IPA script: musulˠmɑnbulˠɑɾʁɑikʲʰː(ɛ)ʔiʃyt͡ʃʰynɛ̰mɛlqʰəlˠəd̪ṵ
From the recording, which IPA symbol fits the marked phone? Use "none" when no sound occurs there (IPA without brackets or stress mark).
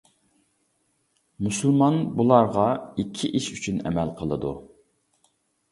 i